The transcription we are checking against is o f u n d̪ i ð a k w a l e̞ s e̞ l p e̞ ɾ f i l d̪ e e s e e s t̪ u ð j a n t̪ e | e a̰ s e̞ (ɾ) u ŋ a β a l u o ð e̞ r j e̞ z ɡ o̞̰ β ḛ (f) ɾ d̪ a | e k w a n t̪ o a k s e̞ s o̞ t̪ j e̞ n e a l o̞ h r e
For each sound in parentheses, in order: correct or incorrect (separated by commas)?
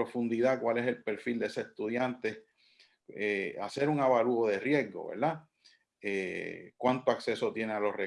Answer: correct, incorrect